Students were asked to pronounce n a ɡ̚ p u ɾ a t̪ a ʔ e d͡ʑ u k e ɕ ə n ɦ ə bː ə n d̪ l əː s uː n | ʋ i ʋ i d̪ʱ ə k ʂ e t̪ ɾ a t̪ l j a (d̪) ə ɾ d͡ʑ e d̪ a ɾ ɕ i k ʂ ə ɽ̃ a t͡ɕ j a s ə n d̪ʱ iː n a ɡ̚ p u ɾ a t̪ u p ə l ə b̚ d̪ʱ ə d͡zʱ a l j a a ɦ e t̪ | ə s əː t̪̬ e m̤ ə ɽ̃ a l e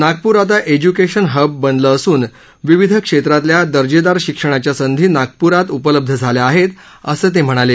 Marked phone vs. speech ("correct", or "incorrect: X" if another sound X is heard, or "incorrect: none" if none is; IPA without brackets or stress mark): correct